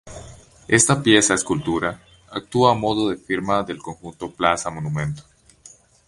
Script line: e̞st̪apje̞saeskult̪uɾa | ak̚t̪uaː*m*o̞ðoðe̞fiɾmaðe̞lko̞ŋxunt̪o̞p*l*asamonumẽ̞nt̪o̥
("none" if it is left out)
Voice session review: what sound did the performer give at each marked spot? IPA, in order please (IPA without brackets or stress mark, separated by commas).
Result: m, l